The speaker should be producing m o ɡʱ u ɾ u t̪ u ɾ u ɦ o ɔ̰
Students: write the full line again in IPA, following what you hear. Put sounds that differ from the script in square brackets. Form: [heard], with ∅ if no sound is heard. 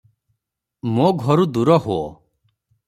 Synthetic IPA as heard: m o ɡʱ [ɔ] ɾ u [d̪] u ɾ [ɔ] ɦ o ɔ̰